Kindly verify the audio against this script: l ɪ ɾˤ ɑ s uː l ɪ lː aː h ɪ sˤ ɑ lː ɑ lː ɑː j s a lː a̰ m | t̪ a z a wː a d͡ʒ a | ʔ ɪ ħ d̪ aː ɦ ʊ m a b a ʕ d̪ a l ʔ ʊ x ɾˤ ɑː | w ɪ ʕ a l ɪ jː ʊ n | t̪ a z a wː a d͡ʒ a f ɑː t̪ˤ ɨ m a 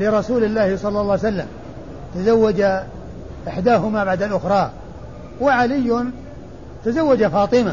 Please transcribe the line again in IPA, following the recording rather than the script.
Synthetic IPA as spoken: l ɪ ɾˤ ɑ s uː l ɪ lː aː h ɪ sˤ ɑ lː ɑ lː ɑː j s a lː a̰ m | t̪ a z a wː a d͡ʒ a | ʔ ɪ ħ d̪ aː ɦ ʊ m a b a ʕ d̪ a l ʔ ʊ x ɾˤ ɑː | w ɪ ʕ a l ɪ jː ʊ n | t̪ a z a wː a d͡ʒ a f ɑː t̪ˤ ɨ m a